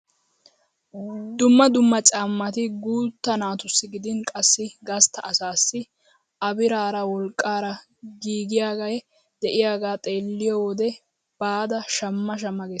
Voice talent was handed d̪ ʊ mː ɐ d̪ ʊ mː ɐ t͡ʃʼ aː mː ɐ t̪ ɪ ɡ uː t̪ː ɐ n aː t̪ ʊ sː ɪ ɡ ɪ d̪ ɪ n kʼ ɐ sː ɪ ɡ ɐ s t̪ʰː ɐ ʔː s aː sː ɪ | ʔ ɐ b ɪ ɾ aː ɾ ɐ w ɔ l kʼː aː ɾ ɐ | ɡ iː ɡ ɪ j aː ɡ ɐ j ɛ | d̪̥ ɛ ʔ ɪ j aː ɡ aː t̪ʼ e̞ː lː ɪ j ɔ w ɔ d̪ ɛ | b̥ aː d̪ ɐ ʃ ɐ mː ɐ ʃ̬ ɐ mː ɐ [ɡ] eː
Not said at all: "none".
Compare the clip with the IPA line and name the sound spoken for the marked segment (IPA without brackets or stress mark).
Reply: ɡ